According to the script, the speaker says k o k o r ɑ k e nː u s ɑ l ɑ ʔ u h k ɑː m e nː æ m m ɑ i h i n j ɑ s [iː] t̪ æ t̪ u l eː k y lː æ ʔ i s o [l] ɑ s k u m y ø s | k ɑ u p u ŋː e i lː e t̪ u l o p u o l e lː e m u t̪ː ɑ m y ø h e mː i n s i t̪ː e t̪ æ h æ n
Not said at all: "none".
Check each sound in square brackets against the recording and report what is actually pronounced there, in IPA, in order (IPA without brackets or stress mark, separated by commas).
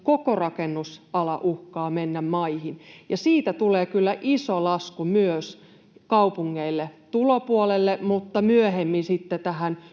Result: iː, l